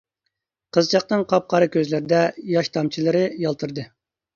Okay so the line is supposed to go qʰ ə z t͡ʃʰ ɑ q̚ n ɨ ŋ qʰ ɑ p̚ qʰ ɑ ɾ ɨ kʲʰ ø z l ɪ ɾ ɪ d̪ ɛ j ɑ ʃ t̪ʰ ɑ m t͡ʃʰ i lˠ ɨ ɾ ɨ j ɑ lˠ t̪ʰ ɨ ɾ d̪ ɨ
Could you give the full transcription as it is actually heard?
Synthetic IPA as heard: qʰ ə z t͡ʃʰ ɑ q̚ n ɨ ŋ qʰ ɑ p̚ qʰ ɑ ɾ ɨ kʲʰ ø z l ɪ ɾ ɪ d̪ ɛ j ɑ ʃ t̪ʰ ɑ m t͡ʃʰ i lˠ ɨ ɾ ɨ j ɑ lˠ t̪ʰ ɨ ɾ d̪ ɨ